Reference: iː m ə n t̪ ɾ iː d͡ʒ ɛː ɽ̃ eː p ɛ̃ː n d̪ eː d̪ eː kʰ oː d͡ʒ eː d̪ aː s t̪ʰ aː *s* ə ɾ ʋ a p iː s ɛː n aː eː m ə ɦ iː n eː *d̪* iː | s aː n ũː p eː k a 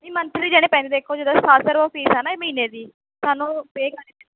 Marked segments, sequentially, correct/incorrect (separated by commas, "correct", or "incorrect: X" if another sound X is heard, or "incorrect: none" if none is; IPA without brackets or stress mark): correct, correct